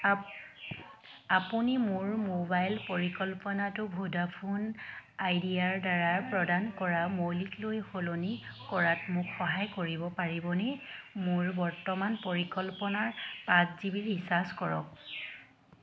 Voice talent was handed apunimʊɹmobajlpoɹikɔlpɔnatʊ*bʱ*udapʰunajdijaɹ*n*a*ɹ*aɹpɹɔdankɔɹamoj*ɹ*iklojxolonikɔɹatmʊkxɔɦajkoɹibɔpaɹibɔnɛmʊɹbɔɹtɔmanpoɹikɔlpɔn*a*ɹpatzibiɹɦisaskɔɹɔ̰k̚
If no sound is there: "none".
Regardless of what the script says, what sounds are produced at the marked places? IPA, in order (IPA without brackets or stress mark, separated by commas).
bʱ, d, ɹ, l, a